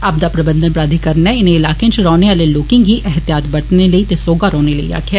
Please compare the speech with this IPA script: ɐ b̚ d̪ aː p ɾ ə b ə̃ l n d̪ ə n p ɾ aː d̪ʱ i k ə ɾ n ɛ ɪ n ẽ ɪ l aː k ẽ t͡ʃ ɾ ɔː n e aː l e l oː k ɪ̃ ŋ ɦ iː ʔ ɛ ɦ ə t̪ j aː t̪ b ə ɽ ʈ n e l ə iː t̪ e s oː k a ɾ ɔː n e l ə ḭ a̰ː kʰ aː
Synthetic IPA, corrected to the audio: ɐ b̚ d̪ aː p ɾ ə b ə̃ n d̪ ə n p ɾ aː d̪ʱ i k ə ɾ n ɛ ɪ n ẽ ɪ l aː k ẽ t͡ʃ ɾ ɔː n e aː l e l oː k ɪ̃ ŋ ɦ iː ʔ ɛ ɦ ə t̪ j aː t̪ b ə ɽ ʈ n e l ə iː t̪ e s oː ɡ a ɾ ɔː n e l ə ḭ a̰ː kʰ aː